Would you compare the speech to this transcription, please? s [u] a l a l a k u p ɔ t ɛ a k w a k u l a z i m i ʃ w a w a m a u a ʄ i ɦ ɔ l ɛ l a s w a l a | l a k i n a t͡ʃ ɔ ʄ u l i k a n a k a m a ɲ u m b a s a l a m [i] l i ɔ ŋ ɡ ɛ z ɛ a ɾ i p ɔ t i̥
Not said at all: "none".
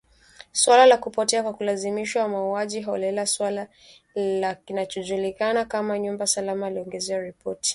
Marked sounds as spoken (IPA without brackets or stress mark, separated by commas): w, a